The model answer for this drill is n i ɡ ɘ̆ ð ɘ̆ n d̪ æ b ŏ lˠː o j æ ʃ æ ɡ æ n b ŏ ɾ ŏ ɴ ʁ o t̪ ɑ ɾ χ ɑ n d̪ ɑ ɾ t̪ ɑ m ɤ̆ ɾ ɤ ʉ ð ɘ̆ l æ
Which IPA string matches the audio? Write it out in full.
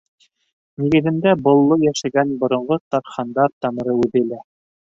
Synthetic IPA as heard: n i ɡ ɘ̆ ð ɘ̆ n d̪ æ b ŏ lˠː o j æ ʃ æ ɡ æ n b ŏ ɾ ŏ ɴ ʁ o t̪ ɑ ɾ χ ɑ n d̪ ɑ ɾ t̪ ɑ m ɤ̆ ɾ ɤ ʉ ð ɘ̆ l æ